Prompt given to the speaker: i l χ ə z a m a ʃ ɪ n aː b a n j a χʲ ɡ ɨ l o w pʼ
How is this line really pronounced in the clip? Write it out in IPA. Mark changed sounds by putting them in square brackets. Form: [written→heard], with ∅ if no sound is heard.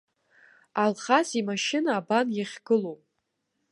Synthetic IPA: [i→a] l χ [ə→a] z [a→i] m a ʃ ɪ n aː b a n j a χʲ ɡ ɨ l o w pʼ